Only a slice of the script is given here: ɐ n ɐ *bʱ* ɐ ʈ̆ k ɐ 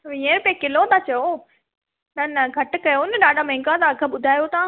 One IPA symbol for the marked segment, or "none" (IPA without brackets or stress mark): ɡʱ